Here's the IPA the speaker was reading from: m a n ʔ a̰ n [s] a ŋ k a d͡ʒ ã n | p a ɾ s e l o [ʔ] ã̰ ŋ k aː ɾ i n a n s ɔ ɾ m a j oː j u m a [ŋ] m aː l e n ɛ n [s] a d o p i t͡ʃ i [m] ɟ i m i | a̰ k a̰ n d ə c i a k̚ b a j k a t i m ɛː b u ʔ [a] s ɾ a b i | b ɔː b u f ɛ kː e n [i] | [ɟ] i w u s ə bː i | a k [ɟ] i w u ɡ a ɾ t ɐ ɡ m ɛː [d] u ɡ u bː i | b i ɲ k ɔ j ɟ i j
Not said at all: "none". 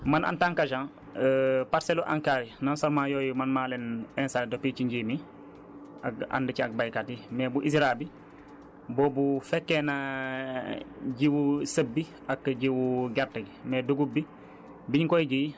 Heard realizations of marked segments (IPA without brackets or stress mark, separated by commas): t, ʔ, n, s, ɲ, i, a, ɟ, ɟ, d